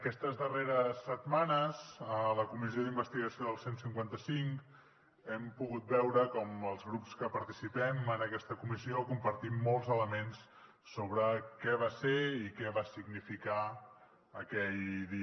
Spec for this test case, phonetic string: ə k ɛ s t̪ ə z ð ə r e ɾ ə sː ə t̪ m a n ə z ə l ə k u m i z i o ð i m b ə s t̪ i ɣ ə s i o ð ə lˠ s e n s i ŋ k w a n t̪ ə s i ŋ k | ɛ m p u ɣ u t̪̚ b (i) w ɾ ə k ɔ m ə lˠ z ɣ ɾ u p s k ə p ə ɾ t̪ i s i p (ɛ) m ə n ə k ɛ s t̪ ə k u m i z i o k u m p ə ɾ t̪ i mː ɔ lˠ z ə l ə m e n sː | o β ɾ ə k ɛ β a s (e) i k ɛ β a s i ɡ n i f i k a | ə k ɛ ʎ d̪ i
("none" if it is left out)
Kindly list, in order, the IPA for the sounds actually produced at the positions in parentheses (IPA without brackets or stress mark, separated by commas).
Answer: ɛ, ɛ, e